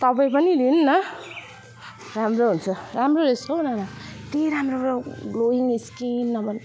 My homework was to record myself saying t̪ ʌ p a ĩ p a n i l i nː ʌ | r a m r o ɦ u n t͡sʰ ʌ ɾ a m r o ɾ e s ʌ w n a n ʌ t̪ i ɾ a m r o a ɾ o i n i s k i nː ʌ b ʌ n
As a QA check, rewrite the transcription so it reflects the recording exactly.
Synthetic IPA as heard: t̪ ʌ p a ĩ p ʌ n i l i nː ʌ | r a m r o ɦ u n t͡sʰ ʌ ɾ a m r o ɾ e s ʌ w n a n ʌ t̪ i ɾ a m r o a l o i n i s k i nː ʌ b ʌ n